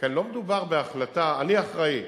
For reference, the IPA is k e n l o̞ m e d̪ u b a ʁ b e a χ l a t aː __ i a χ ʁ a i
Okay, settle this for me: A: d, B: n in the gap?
B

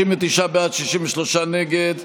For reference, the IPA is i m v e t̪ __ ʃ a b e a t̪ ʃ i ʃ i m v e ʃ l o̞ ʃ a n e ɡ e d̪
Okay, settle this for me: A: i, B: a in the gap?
A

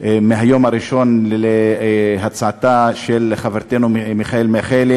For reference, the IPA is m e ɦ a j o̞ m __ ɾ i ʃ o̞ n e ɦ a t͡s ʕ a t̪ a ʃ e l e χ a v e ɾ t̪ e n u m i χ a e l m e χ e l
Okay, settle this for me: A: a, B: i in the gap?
A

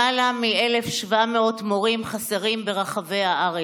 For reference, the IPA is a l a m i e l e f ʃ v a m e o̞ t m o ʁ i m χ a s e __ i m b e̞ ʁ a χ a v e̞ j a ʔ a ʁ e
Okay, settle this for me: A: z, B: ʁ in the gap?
B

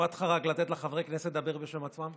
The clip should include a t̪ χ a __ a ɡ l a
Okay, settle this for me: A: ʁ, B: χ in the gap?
A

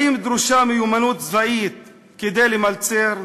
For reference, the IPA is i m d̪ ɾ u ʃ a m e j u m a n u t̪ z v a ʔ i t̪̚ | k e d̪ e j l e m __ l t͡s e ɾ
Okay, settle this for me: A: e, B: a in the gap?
B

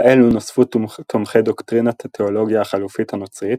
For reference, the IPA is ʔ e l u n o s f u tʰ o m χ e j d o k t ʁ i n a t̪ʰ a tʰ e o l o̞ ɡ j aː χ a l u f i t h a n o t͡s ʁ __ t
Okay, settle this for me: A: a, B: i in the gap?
B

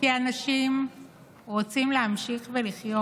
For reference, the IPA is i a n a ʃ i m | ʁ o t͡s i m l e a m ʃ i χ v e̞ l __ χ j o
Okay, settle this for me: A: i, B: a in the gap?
A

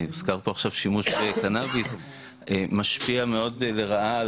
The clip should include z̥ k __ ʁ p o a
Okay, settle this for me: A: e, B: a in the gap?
B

